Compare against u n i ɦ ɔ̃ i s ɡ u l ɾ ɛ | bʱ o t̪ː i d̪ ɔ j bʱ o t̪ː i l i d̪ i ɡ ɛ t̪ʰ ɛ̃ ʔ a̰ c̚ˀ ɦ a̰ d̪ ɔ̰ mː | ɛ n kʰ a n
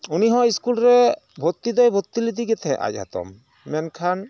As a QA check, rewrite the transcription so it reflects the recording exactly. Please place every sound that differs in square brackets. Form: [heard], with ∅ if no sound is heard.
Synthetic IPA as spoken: u n i ɦ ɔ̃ i s [k] u l ɾ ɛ | bʱ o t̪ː i d̪ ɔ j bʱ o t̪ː i l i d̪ i ɡ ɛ t̪ʰ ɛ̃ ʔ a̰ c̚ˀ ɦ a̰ [t̪] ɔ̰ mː | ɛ n kʰ a n